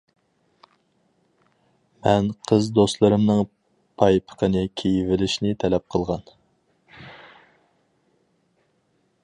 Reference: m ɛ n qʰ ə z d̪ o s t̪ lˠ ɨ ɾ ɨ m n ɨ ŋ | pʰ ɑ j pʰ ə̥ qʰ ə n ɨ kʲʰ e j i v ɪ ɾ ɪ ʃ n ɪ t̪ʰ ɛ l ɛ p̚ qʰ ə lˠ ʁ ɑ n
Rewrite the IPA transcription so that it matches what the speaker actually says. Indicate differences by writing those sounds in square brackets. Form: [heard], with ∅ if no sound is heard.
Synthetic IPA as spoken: m ɛ n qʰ ə z d̪ o s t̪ lˠ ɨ ɾ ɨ m n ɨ ŋ | pʰ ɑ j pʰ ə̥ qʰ ə n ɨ kʲʰ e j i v ɪ [l] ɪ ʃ n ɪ t̪ʰ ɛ l ɛ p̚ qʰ ə lˠ ʁ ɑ n